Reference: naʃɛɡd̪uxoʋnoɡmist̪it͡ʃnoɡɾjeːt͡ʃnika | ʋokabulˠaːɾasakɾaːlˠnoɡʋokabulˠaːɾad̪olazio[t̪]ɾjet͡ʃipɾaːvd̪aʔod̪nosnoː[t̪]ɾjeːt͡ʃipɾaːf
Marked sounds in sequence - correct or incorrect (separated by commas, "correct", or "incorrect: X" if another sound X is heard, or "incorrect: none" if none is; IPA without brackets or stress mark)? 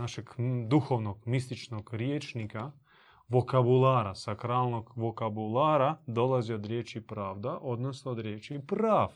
incorrect: d̪, incorrect: d̪